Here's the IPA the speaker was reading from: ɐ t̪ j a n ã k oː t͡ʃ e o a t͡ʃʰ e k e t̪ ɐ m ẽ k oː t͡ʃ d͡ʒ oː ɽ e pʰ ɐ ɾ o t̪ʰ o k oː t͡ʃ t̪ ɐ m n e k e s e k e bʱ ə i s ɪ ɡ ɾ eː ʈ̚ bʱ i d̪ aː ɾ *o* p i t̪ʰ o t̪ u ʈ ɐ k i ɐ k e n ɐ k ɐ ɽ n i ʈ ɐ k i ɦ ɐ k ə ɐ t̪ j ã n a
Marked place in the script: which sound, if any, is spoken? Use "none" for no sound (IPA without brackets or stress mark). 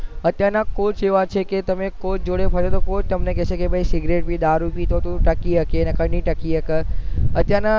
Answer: u